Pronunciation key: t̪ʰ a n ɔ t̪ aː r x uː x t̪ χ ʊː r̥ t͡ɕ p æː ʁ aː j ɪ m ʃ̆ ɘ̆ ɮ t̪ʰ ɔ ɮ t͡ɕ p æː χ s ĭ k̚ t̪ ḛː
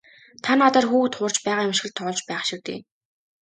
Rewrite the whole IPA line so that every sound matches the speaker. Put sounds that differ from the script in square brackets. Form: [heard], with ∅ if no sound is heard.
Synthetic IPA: t̪ʰ a n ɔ t̪ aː r x uː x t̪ χ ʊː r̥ t͡ɕ p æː ʁ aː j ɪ m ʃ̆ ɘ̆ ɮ t̪ʰ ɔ ɮ t͡ɕ p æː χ [ʃ] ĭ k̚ t̪ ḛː